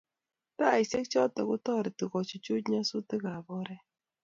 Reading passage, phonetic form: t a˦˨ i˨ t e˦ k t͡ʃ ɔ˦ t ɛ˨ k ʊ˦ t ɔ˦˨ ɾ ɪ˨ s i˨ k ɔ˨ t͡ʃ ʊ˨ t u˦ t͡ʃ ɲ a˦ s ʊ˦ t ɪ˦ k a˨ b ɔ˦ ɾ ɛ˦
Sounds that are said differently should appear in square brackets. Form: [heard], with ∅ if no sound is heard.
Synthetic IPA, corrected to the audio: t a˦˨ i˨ [s] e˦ k t͡ʃ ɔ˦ t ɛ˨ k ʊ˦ t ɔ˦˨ ɾ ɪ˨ [t] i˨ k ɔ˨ t͡ʃ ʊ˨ [t͡ʃ] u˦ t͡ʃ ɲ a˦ s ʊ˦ t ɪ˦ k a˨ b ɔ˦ ɾ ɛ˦

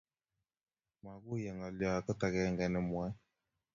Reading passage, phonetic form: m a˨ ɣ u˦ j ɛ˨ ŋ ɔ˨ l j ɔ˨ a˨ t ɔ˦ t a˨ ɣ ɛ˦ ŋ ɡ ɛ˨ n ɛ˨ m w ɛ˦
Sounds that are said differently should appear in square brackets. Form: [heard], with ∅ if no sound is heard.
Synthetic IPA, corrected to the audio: m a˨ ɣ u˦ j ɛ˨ ŋ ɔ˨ l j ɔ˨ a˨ [k] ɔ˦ t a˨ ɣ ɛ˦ ŋ ɡ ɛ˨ n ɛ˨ m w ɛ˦

